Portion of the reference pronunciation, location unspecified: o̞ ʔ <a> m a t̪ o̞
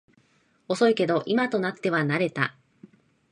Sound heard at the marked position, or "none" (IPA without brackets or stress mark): i